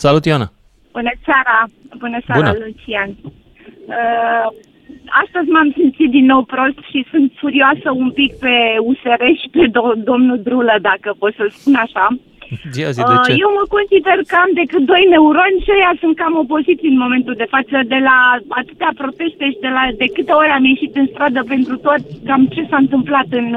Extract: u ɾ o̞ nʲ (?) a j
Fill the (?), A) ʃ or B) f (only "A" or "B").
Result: A